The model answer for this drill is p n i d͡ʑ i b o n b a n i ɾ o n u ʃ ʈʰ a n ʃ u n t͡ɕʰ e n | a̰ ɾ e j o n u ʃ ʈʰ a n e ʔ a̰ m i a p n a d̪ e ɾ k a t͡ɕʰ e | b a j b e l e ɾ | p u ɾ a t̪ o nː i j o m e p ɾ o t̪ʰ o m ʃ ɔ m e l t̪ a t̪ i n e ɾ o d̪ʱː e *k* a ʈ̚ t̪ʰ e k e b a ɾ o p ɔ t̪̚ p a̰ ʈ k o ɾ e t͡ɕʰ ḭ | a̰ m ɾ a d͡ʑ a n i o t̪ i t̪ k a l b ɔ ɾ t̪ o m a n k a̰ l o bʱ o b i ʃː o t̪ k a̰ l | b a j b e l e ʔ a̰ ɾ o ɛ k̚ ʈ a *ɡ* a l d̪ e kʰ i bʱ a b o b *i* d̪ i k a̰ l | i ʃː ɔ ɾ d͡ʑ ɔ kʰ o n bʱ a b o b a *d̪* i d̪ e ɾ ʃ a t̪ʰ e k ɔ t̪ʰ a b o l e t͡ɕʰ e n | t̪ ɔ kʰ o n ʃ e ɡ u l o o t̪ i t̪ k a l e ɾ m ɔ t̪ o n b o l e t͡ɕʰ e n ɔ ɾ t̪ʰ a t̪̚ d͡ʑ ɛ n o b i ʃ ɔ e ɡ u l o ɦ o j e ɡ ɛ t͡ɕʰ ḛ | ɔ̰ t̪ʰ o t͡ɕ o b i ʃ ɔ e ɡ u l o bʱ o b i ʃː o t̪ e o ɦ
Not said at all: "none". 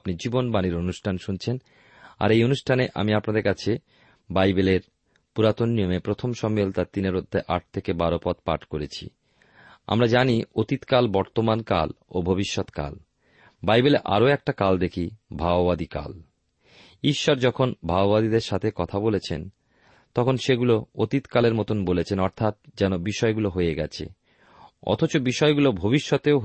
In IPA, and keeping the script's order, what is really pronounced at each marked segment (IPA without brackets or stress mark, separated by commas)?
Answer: ʔ, k, a, d̪